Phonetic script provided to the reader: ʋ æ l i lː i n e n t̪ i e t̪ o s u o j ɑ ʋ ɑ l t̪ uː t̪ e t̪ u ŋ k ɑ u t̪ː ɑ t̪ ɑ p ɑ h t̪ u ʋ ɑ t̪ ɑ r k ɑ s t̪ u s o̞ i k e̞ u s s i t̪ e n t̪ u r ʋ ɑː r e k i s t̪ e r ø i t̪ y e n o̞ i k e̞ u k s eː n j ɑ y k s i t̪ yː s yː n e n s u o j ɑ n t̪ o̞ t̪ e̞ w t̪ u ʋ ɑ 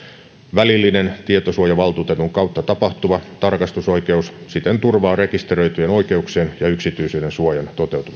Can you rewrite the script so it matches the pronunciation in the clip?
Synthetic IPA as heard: ʋ æ l i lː i n e n t̪ i e t̪ o s u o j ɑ ʋ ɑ l t̪ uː t̪ e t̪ u ŋ k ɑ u t̪ː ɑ t̪ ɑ p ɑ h t̪ u ʋ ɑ t̪ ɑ r k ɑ s t̪ u s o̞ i k e̞ u s s i t̪ e n t̪ u r ʋ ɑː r e k i s t̪ e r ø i t̪ y e n o̞ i k e̞ u k s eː n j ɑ y k s i t̪ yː s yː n e n s u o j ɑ n t̪ o̞ t̪ e̞ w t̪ u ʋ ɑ